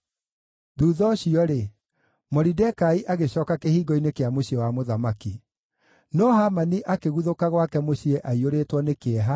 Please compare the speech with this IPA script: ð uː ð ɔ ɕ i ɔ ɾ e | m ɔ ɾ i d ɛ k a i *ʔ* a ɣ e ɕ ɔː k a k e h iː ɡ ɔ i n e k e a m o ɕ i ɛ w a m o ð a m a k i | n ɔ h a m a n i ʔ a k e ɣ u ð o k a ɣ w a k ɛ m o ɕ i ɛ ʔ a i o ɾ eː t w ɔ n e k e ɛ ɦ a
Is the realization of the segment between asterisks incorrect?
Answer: no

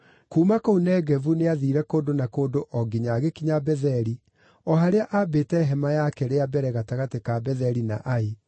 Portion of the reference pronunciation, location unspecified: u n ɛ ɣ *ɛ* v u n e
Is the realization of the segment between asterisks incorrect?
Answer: no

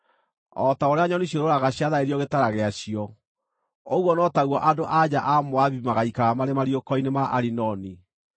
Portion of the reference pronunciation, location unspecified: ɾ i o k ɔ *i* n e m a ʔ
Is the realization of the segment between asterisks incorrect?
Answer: no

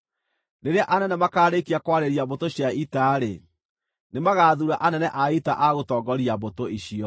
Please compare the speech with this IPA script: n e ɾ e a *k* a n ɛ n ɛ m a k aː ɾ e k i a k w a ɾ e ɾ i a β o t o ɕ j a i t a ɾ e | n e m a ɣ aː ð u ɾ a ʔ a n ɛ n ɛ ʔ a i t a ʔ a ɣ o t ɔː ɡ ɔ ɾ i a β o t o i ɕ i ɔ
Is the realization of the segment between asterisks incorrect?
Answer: yes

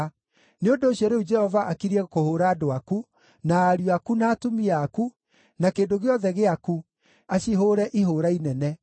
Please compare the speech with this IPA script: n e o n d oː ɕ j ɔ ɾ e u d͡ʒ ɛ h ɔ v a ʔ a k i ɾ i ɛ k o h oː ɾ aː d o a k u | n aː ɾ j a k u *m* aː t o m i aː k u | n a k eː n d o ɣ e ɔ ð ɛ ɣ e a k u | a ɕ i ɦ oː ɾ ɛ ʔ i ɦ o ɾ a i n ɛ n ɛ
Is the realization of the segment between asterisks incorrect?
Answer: yes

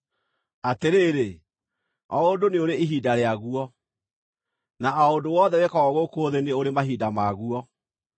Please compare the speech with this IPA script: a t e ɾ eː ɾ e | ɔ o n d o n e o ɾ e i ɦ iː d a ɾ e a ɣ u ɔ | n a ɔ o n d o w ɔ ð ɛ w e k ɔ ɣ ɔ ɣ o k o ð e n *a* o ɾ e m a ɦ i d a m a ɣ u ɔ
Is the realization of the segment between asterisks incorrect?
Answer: yes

